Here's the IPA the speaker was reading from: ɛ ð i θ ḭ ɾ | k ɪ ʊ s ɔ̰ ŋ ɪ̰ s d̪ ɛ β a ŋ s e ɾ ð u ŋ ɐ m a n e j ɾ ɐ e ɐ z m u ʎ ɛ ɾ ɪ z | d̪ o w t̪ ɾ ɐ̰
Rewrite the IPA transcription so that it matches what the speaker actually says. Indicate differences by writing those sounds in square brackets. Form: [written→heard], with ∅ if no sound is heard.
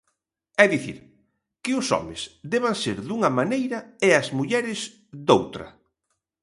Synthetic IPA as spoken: ɛ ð i θ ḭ ɾ | k ɪ ʊ s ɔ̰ [ŋ→m] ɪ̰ s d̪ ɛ β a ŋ s e ɾ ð u ŋ ɐ m a n e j ɾ ɐ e ɐ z m u ʎ ɛ ɾ ɪ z | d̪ o w t̪ ɾ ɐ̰

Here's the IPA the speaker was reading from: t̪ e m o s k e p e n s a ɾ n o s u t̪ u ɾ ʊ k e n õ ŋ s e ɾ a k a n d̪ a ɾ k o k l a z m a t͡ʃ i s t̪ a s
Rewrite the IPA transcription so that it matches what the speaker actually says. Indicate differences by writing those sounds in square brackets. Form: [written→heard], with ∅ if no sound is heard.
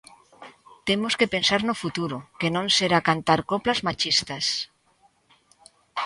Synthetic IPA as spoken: t̪ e m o s k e p e n s a ɾ n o [s→f] u t̪ u ɾ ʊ k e n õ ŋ s e ɾ a k a n [d̪→t̪] a ɾ k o [k→p] l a z m a t͡ʃ i s t̪ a s

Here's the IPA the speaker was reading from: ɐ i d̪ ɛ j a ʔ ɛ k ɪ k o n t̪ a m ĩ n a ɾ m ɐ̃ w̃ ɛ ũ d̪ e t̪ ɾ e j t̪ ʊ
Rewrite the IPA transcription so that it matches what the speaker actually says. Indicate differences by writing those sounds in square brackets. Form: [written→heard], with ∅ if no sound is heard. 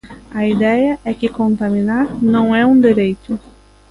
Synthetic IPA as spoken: ɐ i d̪ ɛ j [a→ɐ] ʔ ɛ k ɪ k [o→õ] n t̪ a m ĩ n a ɾ [m→n] ɐ̃ w̃ ɛ ũ d̪ e [t̪→∅] ɾ e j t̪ ʊ

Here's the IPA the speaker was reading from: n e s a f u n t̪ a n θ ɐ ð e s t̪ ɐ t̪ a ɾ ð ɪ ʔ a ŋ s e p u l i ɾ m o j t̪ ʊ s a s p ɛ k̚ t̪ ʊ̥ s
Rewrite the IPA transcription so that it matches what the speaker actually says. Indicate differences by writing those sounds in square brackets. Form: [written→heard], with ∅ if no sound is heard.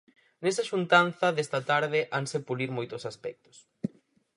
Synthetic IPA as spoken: n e s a [f→ʃ] u n t̪ a n θ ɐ ð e s t̪ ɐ t̪ a ɾ ð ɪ ʔ a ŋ s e p u l i ɾ m o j t̪ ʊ s a s p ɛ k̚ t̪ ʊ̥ s

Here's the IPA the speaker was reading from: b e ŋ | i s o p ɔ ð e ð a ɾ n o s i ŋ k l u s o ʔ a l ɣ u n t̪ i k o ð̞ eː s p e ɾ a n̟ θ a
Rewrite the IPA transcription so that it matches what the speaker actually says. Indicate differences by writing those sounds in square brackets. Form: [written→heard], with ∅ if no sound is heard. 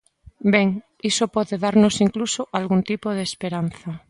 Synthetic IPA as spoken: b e ŋ | i s o p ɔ ð e ð a ɾ n o s i ŋ k l u s o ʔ a l ɣ u n t̪ i [k→p] o ð̞ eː s p e ɾ a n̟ θ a

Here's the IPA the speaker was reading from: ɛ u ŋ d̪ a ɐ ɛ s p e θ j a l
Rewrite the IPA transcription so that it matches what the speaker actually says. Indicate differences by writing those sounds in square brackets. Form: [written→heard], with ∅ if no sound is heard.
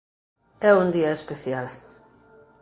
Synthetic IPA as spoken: ɛ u [ŋ→n] d̪ [a→i] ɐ [ɛ→e] s p e θ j a l

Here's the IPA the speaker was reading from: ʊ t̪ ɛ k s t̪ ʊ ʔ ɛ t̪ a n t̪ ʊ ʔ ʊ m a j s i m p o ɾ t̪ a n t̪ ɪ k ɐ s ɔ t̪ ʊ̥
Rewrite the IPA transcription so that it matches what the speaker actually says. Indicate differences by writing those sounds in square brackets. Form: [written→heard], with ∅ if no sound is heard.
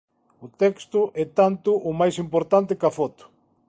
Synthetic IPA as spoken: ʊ t̪ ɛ k s t̪ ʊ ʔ ɛ t̪ a n t̪ ʊ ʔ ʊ m a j s i m p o ɾ t̪ a n t̪ ɪ k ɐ [s→f] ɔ t̪ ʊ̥

